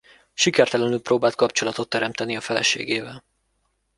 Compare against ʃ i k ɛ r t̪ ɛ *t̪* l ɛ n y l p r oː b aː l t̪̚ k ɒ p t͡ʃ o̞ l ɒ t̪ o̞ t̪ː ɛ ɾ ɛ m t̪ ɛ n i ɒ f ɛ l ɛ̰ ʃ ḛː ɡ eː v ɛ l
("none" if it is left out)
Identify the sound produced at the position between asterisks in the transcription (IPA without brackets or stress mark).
none